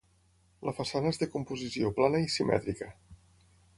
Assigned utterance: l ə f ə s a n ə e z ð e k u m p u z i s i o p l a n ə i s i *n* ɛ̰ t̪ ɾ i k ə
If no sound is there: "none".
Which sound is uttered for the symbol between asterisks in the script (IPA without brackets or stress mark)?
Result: m